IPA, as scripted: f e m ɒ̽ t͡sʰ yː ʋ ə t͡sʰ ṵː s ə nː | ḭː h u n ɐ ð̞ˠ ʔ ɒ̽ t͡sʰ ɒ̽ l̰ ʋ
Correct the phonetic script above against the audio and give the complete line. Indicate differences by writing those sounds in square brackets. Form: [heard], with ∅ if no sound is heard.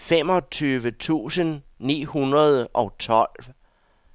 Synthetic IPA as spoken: f e m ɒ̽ t͡sʰ yː ʋ ə t͡sʰ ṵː s ə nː | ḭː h u n ɐ ð̞ˠ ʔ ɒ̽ t͡sʰ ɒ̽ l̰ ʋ